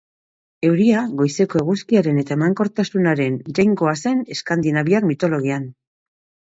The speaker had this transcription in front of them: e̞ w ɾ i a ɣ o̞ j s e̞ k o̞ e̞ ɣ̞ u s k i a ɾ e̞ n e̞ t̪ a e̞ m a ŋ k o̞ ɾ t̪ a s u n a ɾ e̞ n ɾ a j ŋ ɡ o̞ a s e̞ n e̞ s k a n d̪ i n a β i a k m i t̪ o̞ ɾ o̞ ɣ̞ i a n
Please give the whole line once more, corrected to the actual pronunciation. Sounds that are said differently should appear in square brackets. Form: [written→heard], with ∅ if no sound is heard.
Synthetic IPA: e̞ w ɾ i a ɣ o̞ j s e̞ k o̞ e̞ ɣ̞ u s k i a ɾ e̞ n e̞ t̪ a e̞ m a ŋ k o̞ ɾ t̪ a s u n a ɾ e̞ n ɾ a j ŋ ɡ o̞ a s e̞ n e̞ s k a n d̪ i n a β i a k m i t̪ o̞ [ɾ→l] o̞ ɣ̞ i a n